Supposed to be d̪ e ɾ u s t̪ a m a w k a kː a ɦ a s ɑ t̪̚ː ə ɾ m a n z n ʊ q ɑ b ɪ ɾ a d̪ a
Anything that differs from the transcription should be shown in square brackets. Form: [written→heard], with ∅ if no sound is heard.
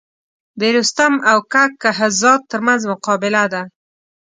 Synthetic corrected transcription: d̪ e ɾ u s t̪ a m a w k a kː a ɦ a [s→z] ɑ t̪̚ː ə ɾ m a n z [n→m] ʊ q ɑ b ɪ [ɾ→l] a d̪ a